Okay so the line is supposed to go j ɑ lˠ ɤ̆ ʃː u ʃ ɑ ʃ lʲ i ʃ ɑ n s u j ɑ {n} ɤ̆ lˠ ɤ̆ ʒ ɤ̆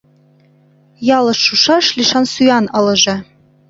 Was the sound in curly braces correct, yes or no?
yes